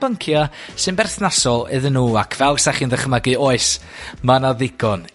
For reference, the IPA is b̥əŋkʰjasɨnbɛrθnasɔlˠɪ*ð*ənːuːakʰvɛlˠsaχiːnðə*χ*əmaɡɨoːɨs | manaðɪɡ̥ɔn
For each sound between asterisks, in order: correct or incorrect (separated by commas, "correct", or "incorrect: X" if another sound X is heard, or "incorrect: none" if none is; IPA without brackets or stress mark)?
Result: correct, correct